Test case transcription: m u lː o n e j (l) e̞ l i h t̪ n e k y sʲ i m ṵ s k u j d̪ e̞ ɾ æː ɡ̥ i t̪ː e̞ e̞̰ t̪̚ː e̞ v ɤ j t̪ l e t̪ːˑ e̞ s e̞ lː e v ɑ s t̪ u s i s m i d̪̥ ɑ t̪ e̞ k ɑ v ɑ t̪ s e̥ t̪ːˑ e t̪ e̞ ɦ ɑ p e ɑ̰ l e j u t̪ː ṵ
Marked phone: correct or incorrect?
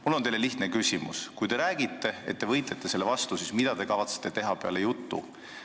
correct